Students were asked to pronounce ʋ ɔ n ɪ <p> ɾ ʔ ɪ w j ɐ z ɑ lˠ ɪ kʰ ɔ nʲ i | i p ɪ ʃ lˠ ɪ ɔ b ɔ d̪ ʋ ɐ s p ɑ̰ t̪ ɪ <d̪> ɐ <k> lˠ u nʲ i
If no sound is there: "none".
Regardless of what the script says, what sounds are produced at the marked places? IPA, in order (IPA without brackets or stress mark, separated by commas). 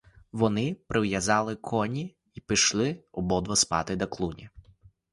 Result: p, d̪, k